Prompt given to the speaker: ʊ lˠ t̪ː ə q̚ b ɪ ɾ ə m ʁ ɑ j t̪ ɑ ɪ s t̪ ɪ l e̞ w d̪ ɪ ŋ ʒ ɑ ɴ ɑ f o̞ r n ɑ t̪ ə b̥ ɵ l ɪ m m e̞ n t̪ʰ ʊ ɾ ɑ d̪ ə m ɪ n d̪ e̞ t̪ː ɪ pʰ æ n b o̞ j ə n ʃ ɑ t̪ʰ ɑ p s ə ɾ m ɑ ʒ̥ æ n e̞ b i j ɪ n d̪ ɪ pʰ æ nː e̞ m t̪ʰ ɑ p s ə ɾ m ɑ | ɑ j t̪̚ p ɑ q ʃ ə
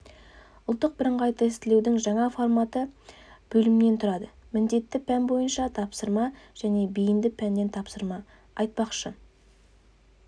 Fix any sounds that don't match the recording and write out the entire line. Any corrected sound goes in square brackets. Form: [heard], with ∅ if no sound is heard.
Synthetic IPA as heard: ʊ lˠ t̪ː ə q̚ b ɪ ɾ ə [ɴ] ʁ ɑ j t̪ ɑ ɪ s t̪ ɪ l e̞ w d̪ ɪ ŋ ʒ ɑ ɴ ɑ f o̞ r [m] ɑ t̪ ə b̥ ɵ l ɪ m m e̞ n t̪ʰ ʊ ɾ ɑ d̪ ə m ɪ n d̪ e̞ t̪ː ɪ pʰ æ n b o̞ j ə n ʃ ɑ t̪ʰ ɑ p s ə ɾ m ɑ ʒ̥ æ n e̞ b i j ɪ n d̪ ɪ pʰ æ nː e̞ [n] t̪ʰ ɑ p s ə ɾ m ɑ | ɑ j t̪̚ p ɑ q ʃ ə